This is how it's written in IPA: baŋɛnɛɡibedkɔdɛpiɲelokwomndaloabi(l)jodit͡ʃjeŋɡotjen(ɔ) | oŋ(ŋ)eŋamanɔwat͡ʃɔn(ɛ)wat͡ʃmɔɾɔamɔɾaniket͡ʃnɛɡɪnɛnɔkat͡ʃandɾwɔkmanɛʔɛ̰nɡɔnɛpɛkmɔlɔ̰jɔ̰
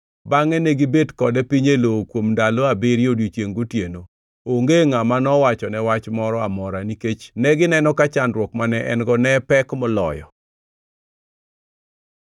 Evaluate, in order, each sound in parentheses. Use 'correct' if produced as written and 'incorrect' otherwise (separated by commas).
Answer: incorrect, incorrect, incorrect, correct